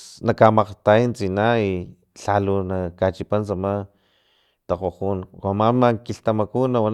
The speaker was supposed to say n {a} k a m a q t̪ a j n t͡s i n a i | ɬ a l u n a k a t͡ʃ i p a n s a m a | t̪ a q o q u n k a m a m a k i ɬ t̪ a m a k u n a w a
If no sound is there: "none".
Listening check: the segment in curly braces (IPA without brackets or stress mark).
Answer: a